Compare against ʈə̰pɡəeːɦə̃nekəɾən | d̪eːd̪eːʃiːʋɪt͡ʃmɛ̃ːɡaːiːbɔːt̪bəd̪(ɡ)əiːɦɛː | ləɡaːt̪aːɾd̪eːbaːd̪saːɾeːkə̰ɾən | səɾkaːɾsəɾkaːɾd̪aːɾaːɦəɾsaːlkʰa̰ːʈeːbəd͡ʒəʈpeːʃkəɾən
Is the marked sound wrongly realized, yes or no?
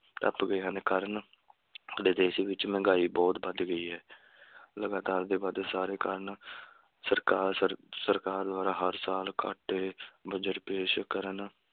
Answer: no